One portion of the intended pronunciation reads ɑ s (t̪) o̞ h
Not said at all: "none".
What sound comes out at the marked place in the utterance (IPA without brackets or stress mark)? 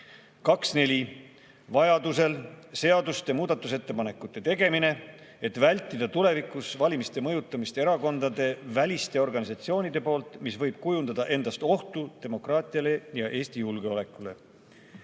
t̪